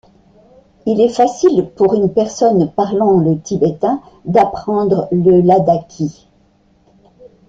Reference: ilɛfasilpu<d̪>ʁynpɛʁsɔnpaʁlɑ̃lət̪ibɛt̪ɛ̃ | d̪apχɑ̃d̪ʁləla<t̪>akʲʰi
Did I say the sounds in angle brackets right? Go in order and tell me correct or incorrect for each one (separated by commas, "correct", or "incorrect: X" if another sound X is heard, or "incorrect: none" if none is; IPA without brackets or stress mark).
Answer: incorrect: none, incorrect: d̪